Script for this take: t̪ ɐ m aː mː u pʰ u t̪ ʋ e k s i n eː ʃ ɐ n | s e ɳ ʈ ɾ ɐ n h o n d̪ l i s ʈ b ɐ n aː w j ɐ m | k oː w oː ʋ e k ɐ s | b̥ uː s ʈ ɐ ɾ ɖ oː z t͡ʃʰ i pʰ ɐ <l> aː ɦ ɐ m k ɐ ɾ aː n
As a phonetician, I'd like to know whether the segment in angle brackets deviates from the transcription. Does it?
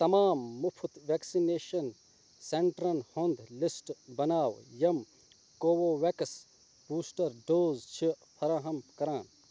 yes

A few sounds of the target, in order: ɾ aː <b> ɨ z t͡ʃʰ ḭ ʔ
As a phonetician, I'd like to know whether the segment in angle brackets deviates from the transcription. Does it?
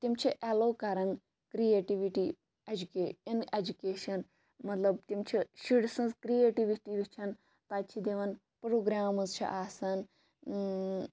yes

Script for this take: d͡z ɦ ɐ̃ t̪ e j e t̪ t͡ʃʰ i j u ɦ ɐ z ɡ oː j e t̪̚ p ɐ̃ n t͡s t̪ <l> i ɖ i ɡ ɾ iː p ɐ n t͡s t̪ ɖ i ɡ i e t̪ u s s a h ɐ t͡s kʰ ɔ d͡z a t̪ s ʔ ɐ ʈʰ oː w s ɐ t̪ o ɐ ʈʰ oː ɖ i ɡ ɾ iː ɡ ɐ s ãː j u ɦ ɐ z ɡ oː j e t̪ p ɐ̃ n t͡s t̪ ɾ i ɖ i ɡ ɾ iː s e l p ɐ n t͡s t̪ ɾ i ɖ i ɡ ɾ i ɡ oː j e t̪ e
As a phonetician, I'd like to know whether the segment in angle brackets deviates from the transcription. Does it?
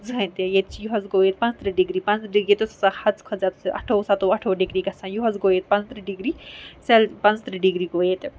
yes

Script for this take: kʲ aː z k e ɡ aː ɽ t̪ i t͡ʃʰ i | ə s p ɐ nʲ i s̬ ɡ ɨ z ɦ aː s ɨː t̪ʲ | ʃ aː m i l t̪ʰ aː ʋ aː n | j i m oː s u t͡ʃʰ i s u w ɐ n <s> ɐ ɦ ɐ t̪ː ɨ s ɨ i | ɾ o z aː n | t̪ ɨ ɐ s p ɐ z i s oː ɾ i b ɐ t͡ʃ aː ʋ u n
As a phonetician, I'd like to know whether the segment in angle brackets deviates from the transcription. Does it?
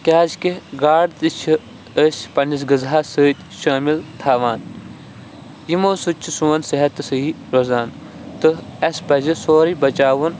no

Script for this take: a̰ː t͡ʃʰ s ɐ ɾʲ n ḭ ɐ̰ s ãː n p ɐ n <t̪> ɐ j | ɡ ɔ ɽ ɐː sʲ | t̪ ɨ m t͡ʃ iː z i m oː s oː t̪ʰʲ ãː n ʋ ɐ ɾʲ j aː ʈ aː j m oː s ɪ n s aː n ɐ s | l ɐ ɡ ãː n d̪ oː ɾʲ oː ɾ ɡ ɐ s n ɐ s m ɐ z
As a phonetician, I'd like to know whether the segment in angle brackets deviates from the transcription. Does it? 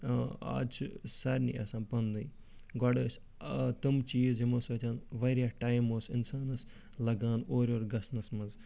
yes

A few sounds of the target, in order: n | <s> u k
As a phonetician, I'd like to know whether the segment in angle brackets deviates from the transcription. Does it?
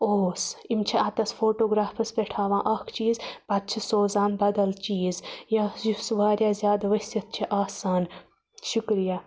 yes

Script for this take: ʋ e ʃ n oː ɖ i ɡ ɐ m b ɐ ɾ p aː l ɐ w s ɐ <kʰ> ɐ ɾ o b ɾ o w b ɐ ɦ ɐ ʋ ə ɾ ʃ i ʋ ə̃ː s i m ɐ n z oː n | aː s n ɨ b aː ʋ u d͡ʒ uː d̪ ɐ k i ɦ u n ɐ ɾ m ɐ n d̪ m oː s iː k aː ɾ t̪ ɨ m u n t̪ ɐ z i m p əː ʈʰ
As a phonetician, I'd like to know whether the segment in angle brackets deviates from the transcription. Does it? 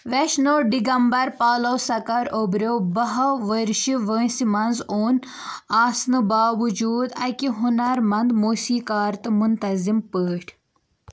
yes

